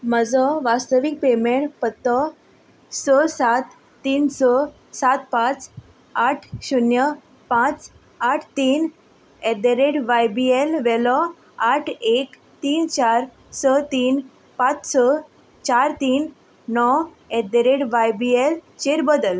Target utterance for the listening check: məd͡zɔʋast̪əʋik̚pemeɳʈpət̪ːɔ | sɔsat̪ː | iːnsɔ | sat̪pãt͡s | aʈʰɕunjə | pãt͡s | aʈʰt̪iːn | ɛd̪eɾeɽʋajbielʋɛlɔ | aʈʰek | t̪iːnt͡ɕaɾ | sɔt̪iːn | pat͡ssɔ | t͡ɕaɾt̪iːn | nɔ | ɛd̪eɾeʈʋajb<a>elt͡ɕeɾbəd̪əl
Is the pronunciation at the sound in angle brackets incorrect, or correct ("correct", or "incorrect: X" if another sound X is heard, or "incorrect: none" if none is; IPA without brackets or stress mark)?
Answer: incorrect: i